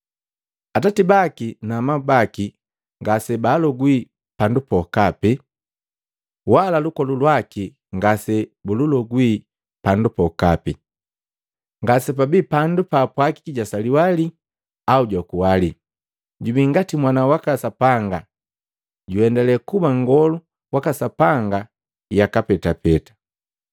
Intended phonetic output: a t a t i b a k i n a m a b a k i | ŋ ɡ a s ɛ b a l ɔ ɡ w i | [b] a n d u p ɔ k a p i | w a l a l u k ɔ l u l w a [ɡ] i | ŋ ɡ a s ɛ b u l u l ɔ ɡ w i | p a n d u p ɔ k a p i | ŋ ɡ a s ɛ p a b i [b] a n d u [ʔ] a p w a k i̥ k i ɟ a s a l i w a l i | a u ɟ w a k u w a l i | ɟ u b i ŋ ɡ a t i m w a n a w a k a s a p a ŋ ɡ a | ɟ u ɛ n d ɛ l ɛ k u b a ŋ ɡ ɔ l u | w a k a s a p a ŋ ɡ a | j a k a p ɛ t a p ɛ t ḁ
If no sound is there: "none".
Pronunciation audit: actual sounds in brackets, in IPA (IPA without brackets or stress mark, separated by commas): p, k, p, p